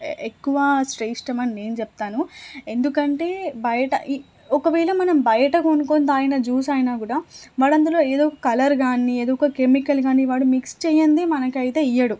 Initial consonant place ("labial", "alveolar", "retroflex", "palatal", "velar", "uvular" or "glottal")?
velar